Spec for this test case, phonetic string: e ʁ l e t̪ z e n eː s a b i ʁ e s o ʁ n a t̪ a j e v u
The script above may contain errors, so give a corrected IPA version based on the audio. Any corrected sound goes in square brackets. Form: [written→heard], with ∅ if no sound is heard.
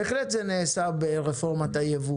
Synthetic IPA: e [ʁ→χ] l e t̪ z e n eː s a b [i→e] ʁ e [s→f] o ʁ [n→m] a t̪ a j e v u

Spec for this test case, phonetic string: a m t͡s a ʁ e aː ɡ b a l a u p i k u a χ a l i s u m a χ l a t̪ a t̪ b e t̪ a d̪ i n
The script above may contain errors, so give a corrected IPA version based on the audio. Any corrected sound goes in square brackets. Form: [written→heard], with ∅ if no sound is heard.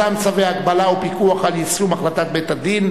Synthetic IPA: a m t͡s a [ʁ→v] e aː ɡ b a l a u p i k u a χ a l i s u m a χ l a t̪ a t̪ b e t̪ a d̪ i n

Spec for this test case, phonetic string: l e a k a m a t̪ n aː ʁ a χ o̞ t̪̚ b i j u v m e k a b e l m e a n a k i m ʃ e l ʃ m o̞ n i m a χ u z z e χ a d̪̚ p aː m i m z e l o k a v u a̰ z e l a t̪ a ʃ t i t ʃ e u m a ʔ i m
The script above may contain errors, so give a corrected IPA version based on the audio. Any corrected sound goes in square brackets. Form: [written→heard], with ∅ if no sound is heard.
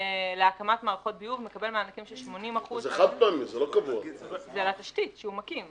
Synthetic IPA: l e a k a m a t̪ [n→m] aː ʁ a χ o̞ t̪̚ b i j u v m e k a b e l m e a n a k i m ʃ e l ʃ m o̞ n i m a χ u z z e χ a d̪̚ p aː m i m z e l o k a v u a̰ z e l a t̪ a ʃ t i t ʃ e u m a [ʔ→k] i m

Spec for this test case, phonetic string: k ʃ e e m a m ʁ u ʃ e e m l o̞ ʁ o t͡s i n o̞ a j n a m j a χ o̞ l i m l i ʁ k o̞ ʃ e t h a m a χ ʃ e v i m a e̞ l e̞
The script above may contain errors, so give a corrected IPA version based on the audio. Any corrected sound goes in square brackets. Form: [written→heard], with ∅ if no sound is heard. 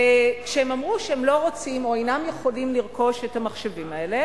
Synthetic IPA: k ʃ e e m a m ʁ u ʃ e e m l o̞ ʁ o t͡s i [n→m] o̞ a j n a m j [a→e] χ o̞ l i m l i ʁ k o̞ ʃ e t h a m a χ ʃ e v i m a e̞ l e̞

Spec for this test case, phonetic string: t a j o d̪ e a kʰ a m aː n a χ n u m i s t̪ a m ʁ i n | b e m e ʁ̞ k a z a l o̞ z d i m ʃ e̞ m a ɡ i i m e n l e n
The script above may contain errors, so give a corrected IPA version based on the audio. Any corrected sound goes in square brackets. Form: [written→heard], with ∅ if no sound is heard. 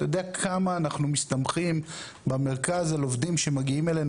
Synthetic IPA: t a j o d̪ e a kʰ a m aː n a χ n u m i s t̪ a m [ʁ→χ] i [n→m] | b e m e ʁ̞ k a z a l o̞ [z→v] d i m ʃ e̞ m a ɡ i i m e [n→∅] l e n

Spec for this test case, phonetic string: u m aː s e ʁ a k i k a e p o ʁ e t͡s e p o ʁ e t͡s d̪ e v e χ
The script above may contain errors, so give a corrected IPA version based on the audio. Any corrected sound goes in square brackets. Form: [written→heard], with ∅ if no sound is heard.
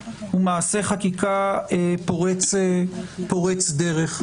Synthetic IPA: u m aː s e [ʁ→χ] a k i k a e p o ʁ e t͡s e p o ʁ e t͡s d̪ e [v→ʁ] e χ

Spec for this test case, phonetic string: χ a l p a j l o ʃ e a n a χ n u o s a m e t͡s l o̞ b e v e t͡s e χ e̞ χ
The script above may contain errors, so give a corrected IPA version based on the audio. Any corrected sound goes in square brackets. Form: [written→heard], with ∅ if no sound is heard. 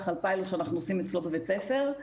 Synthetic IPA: χ a l p a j l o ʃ e a n a χ n u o s [a→i] m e t͡s l o̞ b e v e t͡s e [χ→f] e̞ [χ→ʁ]

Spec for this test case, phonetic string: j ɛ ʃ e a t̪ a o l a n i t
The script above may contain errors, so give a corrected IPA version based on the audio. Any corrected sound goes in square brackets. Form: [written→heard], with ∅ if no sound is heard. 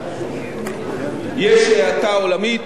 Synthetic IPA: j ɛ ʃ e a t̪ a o l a [n→m] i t

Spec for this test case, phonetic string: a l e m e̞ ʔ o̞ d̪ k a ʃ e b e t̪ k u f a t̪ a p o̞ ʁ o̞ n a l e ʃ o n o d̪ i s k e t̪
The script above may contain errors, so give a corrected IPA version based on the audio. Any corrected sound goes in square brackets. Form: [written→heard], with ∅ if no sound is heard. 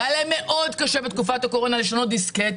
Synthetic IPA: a l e m e̞ ʔ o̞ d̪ k a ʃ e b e t̪ k u f a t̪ a [p→k] o̞ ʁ o̞ n a l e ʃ o n o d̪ i s k e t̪

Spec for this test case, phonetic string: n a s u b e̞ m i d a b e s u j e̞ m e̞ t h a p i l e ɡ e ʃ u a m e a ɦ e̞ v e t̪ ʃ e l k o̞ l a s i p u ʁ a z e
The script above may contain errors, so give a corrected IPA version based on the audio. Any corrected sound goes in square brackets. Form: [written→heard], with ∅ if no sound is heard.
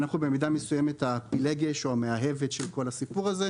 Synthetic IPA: n a [s→χ] u b e̞ m i d a [b→m] e s u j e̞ m e̞ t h a p i l e ɡ e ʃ [u→o] a m e a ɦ e̞ v e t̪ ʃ e l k o̞ l a s i p u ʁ a z e

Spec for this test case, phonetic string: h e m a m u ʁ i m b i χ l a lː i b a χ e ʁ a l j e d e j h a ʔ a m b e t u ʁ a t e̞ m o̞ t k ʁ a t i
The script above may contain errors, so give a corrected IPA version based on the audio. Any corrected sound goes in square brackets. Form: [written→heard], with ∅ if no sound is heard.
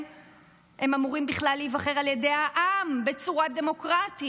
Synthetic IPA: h e m a m u ʁ i m b i χ l a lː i [b→v] a χ e ʁ a l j e d e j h a ʔ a m b e [t→t͡s] u ʁ a [t→d] e̞ m o̞ [t→∅] k ʁ a t i

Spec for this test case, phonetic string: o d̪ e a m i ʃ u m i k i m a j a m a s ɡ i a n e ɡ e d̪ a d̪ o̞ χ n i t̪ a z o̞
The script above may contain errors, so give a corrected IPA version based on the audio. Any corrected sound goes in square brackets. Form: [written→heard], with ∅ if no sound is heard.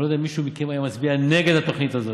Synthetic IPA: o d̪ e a m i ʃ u m i k [i→e] m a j a m a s [ɡ→b] i a n e ɡ e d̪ a [d̪→t̪] o̞ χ n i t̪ a z o̞

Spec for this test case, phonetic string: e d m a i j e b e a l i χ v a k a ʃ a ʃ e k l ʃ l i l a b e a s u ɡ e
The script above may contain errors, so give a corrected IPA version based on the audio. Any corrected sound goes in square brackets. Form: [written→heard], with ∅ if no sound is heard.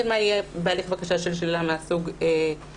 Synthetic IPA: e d m a i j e b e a l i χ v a k a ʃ a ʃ e [k→∅] l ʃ l i l a [b→m] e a s u ɡ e

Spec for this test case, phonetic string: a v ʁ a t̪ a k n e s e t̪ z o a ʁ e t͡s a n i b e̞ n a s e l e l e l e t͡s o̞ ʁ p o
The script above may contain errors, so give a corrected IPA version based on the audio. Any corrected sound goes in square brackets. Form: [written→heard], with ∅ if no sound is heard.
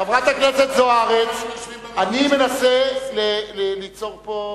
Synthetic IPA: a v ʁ a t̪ a k n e s e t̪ z o a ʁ e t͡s a n i [b→m] e̞ n a s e l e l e l [e→i] t͡s o̞ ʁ p o

